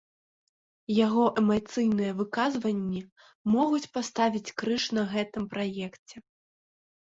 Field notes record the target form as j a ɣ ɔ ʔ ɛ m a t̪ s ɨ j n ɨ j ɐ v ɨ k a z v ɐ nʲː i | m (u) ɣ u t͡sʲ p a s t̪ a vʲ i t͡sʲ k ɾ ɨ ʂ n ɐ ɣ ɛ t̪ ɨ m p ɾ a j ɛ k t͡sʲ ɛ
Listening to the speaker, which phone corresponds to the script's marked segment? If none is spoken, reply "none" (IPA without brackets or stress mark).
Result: ɔ